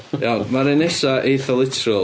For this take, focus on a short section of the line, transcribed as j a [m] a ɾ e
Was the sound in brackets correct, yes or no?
yes